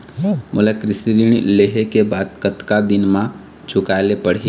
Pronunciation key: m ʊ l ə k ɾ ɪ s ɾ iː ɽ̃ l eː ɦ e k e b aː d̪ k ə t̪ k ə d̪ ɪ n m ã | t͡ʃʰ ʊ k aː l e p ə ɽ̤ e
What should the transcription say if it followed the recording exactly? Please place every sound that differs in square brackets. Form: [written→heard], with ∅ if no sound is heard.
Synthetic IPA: m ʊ l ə k ɾ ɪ s ɾ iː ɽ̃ l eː ɦ e k e b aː d̪ k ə t̪ k [ə→a] d̪ ɪ n m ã | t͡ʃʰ ʊ k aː l e p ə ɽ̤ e